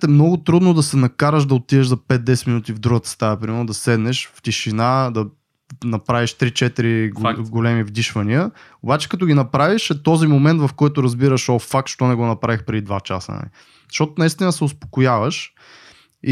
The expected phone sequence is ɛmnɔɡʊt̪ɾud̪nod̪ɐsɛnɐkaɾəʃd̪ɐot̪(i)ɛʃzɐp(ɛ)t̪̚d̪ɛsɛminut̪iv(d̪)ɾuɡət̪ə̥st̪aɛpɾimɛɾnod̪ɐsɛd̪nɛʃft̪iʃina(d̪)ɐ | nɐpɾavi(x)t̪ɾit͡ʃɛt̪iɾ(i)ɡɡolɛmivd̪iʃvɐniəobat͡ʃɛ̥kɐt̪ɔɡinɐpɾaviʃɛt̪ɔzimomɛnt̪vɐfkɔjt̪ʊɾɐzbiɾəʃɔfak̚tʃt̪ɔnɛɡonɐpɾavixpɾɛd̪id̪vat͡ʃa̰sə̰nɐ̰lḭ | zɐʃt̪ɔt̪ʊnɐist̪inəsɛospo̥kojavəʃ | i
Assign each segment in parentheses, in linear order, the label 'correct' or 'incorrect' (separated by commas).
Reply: correct, correct, correct, correct, incorrect, correct